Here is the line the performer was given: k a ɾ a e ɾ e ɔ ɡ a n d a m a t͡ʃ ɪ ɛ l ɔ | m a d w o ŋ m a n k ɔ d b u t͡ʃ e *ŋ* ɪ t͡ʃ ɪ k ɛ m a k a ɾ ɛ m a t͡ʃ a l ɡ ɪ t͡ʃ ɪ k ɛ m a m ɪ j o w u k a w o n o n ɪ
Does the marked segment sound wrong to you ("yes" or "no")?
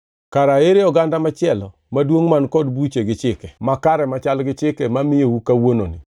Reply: yes